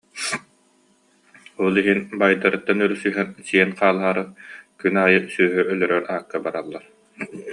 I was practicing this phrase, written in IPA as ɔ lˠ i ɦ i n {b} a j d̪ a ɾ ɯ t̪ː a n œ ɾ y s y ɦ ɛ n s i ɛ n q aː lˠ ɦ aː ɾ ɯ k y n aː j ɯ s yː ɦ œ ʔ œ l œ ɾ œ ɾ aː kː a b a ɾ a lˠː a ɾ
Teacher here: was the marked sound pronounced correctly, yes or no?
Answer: yes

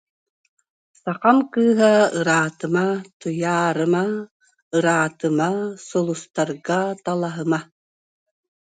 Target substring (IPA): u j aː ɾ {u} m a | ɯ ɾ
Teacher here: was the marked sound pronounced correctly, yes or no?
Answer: no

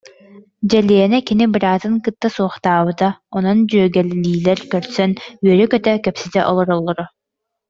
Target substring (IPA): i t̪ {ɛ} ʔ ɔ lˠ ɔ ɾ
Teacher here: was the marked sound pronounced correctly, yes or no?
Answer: yes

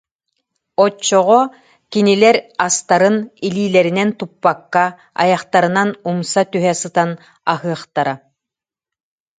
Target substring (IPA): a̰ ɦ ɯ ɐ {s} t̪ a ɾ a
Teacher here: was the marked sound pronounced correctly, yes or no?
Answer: no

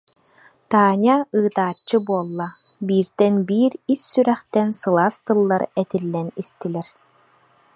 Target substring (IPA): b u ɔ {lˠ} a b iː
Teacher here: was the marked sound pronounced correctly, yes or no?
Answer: no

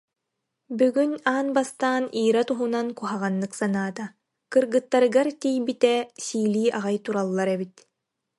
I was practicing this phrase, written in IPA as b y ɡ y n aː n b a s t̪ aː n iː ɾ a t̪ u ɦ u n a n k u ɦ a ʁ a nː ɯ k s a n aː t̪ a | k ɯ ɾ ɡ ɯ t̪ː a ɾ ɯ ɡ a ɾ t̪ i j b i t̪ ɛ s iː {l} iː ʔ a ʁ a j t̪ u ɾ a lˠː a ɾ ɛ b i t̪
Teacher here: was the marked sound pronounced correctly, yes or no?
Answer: yes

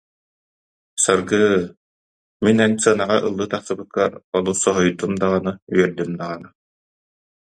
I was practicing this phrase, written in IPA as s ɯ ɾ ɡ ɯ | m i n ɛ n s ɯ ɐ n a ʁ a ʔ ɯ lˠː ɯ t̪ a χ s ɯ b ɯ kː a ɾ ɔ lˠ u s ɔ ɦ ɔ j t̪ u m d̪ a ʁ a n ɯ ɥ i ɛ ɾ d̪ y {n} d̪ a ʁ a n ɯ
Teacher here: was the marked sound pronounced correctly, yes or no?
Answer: no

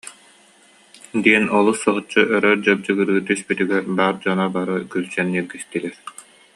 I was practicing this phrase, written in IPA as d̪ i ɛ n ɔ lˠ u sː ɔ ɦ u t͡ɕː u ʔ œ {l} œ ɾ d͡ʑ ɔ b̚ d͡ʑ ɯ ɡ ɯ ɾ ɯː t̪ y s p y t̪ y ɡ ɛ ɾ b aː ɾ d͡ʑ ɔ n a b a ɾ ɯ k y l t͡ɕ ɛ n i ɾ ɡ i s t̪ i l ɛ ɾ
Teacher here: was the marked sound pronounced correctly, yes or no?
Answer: no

